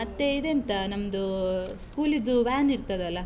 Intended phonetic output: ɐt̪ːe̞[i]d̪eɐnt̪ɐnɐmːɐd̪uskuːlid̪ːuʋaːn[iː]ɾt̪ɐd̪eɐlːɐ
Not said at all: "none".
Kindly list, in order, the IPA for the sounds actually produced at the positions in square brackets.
i, i

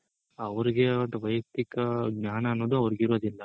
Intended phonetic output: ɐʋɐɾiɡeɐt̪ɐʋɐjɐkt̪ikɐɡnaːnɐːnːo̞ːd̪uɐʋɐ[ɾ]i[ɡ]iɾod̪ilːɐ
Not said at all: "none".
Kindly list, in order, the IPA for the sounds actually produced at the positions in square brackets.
ɾ, ɡ

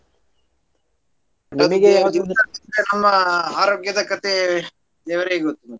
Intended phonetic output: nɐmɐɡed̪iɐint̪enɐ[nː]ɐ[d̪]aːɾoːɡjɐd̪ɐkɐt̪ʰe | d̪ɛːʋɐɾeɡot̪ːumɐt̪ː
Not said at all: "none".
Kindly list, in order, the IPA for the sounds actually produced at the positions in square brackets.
mː, none

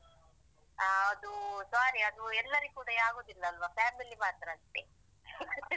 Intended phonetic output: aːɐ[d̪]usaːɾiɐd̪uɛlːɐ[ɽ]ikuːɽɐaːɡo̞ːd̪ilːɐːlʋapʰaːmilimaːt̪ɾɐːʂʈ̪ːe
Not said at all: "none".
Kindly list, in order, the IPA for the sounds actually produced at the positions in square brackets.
d̪, ɾ

